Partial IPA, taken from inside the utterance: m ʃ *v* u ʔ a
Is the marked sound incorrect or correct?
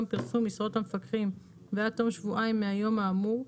correct